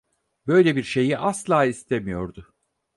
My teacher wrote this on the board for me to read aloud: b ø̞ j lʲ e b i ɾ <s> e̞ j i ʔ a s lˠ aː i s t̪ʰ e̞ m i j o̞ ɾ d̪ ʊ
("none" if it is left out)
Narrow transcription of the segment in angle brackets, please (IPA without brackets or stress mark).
ʃ